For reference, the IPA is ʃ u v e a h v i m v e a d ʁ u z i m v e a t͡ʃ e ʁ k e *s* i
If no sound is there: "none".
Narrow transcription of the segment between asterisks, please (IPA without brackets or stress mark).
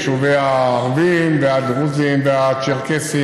s